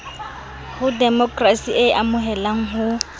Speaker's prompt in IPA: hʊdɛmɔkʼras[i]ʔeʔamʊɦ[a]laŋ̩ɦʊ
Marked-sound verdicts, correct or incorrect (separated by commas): correct, incorrect